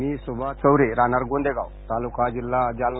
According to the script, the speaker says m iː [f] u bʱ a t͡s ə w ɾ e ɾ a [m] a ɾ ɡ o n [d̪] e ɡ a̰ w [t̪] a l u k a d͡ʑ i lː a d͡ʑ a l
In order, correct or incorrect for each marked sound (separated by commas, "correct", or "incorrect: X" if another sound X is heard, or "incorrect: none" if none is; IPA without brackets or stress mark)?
incorrect: s, incorrect: n, correct, correct